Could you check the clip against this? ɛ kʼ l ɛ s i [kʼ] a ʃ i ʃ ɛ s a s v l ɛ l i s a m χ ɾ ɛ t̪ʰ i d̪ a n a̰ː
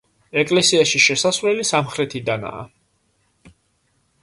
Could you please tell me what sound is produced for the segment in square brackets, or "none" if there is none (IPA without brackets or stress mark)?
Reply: none